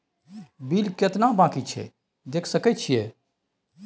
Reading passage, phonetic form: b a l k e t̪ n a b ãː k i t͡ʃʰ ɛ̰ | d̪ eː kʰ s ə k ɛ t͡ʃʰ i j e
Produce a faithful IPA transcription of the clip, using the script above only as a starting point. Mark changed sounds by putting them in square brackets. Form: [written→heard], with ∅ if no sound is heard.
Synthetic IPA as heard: b [a→i] l k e t̪ n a b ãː k i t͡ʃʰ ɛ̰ | d̪ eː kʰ s ə k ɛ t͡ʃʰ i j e